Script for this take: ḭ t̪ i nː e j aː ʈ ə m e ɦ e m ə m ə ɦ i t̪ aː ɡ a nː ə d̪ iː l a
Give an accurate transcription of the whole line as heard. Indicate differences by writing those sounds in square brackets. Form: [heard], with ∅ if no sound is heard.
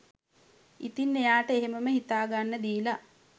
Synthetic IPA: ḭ t̪ i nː e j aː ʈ ə [∅] e ɦ e m ə m ə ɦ i t̪ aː ɡ a nː ə d̪ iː l a